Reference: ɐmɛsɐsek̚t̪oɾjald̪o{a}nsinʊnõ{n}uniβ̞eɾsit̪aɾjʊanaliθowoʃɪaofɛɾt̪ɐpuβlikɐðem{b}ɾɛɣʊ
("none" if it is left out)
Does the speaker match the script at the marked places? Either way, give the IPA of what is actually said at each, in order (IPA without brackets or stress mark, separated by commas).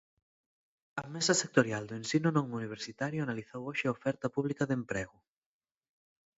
e, ŋ, p